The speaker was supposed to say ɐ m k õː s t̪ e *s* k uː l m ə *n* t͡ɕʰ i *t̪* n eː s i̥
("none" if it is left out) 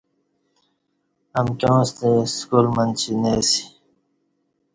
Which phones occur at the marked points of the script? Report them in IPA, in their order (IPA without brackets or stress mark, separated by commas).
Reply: s, n, none